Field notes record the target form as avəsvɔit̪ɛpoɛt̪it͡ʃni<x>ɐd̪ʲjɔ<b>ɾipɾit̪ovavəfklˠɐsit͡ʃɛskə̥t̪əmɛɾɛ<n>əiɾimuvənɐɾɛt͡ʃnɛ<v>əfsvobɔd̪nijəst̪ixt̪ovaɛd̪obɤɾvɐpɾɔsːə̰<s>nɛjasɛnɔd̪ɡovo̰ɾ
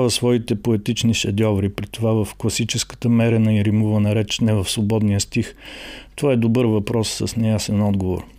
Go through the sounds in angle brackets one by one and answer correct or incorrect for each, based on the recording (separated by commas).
incorrect, incorrect, correct, correct, correct